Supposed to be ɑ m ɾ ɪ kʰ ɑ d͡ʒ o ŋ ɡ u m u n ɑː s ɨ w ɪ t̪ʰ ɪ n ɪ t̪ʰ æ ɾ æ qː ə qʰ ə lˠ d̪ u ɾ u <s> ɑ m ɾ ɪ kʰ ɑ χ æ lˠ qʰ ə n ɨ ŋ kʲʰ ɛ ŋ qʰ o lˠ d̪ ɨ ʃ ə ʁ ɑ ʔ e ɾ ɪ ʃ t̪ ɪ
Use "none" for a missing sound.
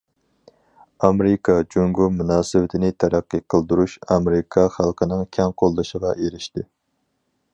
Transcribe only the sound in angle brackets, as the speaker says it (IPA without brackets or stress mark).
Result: ʃ